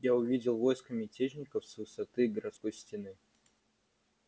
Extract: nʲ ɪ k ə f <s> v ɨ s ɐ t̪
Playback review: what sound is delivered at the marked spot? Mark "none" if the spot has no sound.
s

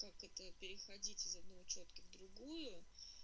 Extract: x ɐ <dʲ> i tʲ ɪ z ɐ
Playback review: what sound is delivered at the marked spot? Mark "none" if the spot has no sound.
dʲ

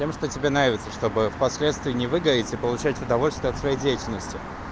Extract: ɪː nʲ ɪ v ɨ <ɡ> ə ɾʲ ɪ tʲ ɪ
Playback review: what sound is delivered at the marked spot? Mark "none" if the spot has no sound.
ɡ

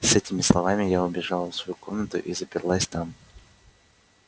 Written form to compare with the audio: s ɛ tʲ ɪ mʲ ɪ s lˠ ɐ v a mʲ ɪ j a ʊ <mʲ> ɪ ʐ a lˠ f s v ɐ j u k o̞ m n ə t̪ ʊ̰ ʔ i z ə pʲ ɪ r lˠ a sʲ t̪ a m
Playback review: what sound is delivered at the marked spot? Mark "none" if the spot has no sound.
bʲ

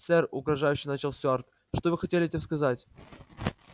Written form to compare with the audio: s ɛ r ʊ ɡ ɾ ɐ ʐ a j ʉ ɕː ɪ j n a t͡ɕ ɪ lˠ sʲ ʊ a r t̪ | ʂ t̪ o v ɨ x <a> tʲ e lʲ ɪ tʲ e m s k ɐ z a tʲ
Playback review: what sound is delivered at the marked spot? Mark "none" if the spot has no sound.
ɐ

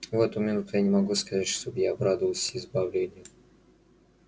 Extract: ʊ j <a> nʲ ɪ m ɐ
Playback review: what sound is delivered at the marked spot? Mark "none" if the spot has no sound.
a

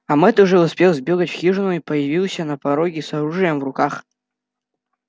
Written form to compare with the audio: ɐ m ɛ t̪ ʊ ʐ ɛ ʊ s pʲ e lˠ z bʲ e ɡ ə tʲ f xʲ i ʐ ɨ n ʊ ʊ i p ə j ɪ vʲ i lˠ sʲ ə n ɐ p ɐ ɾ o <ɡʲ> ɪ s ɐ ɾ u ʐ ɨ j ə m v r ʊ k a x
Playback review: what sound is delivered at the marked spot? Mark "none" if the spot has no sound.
ɡʲ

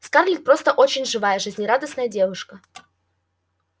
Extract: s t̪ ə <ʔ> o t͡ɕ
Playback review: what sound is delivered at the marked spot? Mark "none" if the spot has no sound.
ʔ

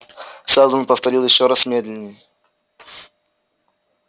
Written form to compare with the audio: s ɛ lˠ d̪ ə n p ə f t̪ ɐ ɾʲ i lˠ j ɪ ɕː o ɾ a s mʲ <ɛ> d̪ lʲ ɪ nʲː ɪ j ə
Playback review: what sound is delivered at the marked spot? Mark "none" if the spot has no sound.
e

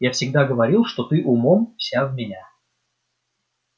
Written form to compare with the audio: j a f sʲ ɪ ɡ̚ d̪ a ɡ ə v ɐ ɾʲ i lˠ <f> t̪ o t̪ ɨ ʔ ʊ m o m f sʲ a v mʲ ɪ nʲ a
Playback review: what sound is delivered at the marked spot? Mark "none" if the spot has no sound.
ʂ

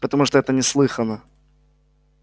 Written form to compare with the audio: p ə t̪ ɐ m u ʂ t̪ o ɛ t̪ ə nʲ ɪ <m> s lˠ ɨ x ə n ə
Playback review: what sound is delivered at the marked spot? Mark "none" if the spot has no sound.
none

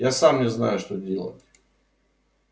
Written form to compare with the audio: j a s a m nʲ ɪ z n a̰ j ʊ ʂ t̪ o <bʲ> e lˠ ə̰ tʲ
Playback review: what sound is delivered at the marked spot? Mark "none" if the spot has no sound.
dʲ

